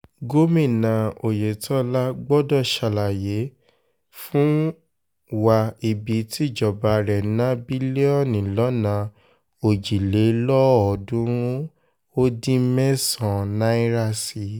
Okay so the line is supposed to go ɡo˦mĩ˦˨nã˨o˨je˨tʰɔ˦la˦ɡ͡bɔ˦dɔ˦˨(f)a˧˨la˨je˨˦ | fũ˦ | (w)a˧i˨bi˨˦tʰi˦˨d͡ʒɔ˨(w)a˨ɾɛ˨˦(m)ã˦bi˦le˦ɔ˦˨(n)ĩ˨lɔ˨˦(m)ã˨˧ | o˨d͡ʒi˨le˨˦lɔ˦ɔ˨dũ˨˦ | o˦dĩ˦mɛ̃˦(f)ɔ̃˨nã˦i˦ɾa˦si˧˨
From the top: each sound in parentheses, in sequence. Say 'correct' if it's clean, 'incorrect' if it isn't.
incorrect: ʃ, correct, incorrect: b, incorrect: n, correct, incorrect: n, incorrect: s

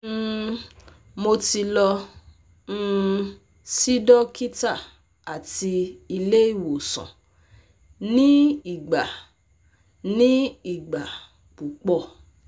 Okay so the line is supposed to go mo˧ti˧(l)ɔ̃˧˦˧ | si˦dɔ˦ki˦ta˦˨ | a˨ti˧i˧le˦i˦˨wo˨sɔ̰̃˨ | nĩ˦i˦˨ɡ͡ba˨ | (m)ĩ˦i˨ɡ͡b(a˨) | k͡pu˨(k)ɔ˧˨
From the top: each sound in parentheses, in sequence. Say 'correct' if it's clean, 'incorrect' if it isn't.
correct, incorrect: n, correct, incorrect: k͡p

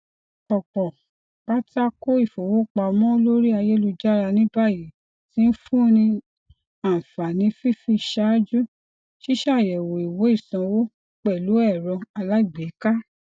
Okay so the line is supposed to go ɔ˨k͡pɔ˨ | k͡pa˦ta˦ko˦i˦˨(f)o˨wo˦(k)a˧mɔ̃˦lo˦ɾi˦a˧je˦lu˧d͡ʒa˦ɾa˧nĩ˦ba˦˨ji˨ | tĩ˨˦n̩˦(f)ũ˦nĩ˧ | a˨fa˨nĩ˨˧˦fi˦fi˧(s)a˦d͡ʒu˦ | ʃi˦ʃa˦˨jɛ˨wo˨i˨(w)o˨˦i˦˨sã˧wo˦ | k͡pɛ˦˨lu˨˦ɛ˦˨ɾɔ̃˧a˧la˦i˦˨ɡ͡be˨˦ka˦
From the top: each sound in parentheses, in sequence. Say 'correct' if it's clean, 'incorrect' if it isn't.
correct, incorrect: k͡p, correct, incorrect: ʃ, correct

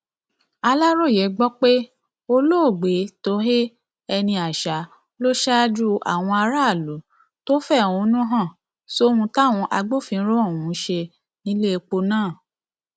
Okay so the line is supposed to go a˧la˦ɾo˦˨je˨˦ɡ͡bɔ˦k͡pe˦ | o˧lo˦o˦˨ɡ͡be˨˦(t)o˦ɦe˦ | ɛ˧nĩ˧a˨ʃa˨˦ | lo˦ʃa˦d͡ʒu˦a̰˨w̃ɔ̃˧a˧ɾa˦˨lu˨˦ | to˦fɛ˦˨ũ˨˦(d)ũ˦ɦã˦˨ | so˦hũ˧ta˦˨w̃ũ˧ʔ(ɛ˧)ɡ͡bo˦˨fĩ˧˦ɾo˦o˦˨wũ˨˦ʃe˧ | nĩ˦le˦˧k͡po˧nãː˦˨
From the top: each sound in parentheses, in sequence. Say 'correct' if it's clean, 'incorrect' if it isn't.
correct, incorrect: n, incorrect: a˧

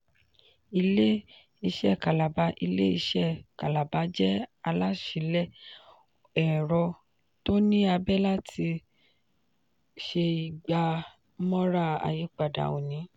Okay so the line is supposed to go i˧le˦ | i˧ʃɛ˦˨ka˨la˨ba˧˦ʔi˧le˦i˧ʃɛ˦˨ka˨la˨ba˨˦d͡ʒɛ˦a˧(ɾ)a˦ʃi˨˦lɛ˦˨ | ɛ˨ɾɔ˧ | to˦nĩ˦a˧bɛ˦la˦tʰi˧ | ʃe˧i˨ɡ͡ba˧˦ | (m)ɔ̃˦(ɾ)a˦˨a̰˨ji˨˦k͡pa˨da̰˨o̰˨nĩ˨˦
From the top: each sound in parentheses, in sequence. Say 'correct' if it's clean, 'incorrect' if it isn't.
incorrect: l, correct, correct

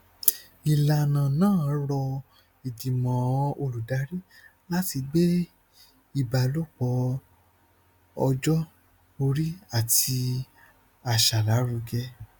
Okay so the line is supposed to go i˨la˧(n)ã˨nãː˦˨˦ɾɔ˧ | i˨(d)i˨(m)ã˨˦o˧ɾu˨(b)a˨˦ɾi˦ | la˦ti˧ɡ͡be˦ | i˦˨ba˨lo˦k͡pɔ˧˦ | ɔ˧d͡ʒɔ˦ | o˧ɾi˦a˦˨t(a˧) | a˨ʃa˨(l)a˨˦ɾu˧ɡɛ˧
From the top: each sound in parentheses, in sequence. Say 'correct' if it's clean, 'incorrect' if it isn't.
correct, correct, correct, incorrect: d, incorrect: i˧, correct

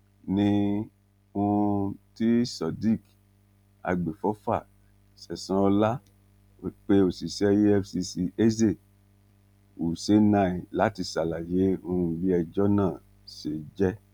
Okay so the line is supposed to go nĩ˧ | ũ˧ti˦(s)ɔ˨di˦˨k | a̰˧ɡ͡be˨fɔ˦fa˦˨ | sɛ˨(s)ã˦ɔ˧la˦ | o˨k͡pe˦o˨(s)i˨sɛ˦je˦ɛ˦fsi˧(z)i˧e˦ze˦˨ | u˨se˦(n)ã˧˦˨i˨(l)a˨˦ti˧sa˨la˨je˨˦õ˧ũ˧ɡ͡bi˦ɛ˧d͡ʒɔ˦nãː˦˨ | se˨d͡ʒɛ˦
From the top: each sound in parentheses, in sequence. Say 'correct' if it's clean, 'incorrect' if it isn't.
correct, correct, correct, incorrect: s, correct, correct

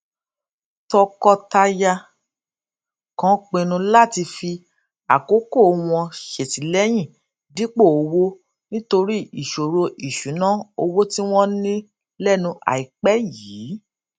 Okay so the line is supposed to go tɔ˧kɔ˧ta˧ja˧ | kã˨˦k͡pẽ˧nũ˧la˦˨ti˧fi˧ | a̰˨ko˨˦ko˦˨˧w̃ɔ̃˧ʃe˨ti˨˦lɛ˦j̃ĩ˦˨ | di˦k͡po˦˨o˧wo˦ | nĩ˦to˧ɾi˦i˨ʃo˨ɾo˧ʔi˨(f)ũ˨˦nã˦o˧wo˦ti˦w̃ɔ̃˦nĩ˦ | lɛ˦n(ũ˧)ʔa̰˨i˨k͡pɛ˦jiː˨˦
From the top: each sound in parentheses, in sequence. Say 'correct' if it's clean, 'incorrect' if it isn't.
incorrect: ʃ, correct

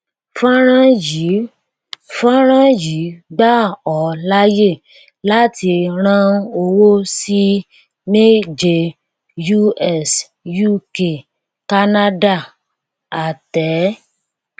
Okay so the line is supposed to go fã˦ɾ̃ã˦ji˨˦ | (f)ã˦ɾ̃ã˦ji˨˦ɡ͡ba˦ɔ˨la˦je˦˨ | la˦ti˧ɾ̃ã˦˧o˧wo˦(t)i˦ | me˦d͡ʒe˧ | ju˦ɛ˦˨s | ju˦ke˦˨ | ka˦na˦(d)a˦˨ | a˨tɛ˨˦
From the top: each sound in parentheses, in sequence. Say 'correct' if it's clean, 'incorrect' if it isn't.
correct, incorrect: s, correct

